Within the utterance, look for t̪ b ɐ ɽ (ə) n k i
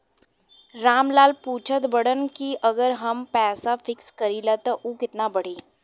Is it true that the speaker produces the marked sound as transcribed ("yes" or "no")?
yes